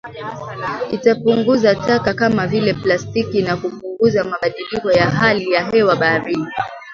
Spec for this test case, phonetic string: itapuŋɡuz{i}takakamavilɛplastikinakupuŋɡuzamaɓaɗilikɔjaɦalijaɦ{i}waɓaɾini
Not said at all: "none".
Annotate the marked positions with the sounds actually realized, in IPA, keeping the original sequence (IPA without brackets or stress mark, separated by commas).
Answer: a, ɛ